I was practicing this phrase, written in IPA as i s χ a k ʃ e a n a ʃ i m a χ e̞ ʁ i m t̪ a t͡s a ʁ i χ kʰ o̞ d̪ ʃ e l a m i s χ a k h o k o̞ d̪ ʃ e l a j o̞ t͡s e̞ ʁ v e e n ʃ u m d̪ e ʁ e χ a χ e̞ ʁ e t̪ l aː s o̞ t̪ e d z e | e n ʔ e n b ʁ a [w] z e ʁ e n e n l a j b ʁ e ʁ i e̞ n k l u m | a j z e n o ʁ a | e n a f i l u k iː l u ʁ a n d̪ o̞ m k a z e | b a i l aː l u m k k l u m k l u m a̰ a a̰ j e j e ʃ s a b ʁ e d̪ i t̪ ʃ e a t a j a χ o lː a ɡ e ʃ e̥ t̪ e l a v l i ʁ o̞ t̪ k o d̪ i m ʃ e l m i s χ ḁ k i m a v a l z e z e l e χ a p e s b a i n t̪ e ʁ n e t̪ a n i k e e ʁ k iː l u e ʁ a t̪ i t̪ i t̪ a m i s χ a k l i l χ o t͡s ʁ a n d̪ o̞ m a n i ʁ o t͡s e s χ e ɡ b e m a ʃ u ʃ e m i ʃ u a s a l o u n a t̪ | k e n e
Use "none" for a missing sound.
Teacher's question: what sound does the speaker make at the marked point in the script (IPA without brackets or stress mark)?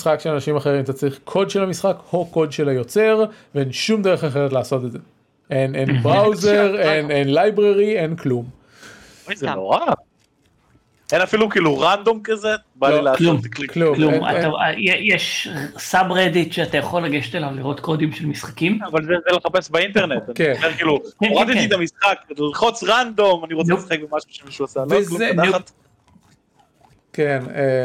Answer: w